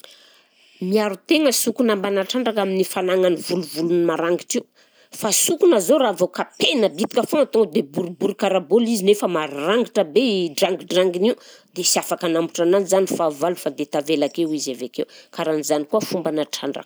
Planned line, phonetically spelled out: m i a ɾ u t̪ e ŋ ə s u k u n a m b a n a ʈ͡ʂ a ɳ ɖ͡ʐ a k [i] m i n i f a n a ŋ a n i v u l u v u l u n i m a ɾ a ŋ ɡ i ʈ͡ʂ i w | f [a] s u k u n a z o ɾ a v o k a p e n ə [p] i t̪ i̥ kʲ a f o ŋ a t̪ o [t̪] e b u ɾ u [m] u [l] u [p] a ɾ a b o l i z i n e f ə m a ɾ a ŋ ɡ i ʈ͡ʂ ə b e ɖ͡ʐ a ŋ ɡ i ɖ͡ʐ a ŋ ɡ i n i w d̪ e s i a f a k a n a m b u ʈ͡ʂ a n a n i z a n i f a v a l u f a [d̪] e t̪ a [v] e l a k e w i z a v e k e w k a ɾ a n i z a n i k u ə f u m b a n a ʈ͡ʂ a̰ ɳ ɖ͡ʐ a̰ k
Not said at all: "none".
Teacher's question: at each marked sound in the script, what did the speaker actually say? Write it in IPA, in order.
a, a, b, d̪, b, ɾ, k, d̪, v

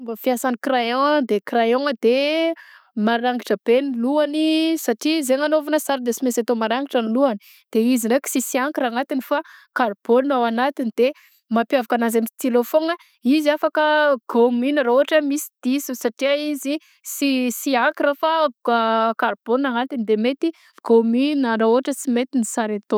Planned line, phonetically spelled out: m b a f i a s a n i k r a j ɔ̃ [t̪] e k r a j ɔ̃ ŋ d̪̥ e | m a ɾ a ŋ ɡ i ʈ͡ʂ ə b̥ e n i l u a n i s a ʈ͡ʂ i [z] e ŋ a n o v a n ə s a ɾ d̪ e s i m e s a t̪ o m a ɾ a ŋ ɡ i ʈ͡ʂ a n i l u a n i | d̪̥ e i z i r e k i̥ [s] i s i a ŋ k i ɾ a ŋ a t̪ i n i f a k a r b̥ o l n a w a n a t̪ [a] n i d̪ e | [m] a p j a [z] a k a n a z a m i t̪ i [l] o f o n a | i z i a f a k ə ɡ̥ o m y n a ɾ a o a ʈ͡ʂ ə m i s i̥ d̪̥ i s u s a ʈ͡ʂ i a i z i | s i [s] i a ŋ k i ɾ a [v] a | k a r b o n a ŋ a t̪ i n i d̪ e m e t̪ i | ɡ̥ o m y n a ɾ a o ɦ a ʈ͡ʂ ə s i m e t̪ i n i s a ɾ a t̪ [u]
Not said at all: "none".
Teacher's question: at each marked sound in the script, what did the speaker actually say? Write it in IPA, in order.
d̪, z, s, i, m, v, l, s, f, o

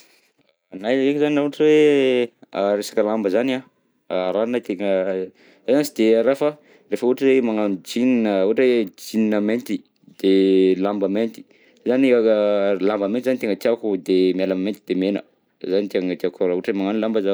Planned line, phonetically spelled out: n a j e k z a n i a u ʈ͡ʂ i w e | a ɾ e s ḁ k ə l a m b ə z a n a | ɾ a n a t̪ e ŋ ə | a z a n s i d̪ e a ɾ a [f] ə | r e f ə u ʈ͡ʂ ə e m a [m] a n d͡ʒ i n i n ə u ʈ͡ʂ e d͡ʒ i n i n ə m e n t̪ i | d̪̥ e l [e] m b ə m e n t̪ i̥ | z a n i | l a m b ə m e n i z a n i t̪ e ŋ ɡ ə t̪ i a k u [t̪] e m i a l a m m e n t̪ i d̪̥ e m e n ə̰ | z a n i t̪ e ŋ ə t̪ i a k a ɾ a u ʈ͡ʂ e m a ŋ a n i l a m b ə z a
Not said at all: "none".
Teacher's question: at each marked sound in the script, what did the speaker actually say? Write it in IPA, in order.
f, ŋ, a, d̪

